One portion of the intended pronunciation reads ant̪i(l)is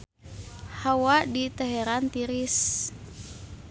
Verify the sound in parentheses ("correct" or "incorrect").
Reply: incorrect